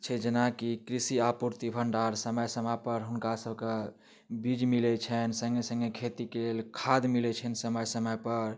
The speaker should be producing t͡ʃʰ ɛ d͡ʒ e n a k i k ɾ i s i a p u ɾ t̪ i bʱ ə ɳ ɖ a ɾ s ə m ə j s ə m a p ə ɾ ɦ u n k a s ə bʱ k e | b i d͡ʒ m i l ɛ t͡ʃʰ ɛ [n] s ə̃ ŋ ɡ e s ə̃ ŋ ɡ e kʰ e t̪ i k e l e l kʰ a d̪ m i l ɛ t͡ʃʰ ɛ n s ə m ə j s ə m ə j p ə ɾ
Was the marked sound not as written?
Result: no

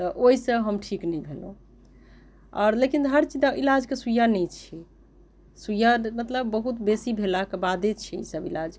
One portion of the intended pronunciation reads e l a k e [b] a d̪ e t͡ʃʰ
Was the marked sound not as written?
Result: no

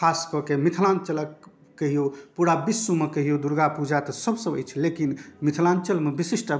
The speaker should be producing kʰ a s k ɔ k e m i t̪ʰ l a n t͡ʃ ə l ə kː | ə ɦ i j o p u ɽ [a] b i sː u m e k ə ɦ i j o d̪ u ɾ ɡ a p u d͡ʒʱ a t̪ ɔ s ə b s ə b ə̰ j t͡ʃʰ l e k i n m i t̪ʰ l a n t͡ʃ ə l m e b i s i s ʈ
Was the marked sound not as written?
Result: no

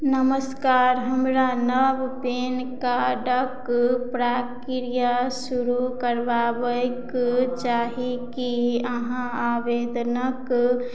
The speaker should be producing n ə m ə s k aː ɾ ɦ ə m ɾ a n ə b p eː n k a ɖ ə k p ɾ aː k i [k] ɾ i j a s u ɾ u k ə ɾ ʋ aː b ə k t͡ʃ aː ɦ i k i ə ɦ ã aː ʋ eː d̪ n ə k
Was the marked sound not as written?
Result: yes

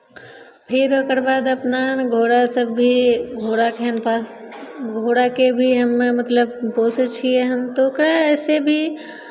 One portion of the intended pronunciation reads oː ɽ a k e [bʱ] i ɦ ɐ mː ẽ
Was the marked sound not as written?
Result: no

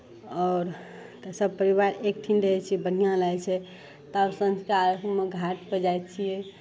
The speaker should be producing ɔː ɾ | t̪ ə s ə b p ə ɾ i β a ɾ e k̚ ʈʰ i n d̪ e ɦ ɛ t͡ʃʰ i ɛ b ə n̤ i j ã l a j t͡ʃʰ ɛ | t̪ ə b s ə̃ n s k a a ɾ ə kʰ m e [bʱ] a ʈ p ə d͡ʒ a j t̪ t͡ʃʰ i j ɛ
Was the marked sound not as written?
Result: yes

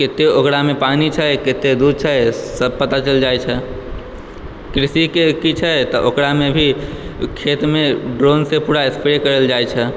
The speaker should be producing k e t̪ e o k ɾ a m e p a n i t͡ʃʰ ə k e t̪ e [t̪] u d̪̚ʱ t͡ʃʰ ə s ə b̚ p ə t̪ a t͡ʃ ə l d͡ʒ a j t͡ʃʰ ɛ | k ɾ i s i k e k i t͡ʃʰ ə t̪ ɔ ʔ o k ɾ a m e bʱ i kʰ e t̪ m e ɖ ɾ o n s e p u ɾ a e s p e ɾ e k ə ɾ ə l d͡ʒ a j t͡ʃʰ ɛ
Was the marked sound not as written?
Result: yes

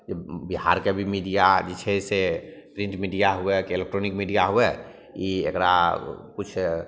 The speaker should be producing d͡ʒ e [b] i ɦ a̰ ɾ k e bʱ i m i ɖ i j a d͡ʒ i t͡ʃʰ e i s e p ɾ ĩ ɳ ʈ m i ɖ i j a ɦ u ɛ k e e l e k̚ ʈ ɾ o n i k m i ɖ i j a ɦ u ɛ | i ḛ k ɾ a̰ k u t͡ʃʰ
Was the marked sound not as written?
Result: no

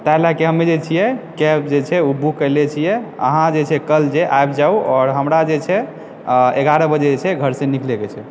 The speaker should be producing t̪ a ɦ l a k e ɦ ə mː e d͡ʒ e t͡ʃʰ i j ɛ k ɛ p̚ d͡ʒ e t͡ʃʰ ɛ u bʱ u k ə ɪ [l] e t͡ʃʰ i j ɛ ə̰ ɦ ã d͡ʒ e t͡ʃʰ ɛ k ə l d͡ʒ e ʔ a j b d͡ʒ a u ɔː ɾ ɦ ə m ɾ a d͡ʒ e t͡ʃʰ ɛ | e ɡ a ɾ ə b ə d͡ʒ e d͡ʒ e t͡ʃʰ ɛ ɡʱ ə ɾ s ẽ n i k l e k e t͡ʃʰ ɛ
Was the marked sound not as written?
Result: no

